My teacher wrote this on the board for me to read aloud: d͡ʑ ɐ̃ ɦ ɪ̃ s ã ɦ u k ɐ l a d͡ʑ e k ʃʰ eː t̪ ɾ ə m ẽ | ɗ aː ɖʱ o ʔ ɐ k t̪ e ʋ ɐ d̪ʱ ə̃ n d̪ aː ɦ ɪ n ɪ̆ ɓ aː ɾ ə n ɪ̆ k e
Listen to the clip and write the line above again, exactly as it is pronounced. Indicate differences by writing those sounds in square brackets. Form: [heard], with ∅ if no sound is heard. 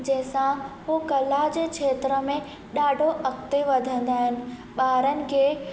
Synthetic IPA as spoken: d͡ʑ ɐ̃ ɦ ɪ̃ s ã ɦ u k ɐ l a d͡ʑ e k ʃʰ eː t̪ ɾ ə m ẽ | ɗ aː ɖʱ o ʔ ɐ k t̪ e ʋ ɐ d̪ʱ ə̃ n d̪ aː ɦ ɪ n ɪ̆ ɓ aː ɾ ə n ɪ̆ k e